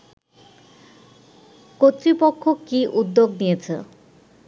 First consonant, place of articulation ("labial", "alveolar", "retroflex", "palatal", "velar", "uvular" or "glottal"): velar